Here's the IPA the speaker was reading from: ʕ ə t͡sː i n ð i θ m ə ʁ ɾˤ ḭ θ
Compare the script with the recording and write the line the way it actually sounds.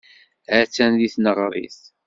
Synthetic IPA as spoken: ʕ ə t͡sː æ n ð i θ n ə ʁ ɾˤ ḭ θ